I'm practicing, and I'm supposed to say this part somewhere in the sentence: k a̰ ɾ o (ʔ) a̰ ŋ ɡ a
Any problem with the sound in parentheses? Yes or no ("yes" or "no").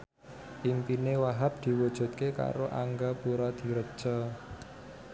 no